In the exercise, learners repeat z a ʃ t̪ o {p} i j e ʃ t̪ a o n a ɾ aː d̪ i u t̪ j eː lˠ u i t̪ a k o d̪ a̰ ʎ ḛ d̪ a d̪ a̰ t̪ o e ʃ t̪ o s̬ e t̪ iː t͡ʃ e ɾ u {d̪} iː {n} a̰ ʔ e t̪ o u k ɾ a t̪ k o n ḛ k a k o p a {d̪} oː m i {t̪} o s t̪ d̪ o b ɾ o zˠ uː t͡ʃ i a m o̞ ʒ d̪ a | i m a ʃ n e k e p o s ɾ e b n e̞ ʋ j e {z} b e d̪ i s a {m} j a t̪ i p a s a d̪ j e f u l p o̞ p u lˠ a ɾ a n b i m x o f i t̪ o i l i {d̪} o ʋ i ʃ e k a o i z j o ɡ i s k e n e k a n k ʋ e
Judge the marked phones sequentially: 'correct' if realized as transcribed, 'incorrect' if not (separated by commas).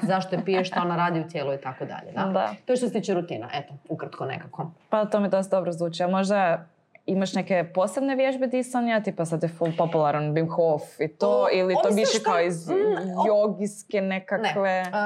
correct, incorrect, correct, incorrect, incorrect, incorrect, incorrect, incorrect